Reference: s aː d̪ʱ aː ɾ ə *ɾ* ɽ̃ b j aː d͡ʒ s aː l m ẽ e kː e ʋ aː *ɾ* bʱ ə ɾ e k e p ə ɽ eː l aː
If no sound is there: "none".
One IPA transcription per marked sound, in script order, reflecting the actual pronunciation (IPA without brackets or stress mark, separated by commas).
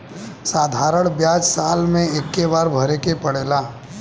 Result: none, ɾ